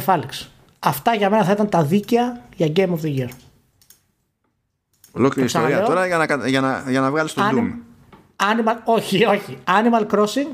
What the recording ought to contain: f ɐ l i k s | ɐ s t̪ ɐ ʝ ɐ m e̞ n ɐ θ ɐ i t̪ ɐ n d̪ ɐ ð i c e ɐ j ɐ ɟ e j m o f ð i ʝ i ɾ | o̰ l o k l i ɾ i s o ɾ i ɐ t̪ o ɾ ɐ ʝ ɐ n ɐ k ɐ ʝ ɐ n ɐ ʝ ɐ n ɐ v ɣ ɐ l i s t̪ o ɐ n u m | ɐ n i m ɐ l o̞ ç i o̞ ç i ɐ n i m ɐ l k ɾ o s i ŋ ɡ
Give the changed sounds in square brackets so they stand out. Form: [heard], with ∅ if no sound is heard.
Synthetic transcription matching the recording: f ɐ l i k s | ɐ [f] t̪ ɐ ʝ ɐ m e̞ n ɐ θ ɐ i t̪ ɐ n [t̪] ɐ ð i c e ɐ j ɐ ɟ e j m o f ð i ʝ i ɾ | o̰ l o k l i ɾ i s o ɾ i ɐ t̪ o ɾ ɐ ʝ ɐ n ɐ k ɐ ʝ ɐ n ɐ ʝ ɐ n ɐ v ɣ ɐ l i s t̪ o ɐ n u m | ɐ n i m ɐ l o̞ ç i o̞ ç i ɐ n i m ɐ l k ɾ o s i ŋ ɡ